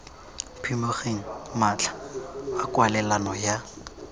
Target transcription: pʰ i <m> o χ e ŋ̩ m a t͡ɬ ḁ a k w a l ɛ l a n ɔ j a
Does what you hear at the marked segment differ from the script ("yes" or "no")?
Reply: no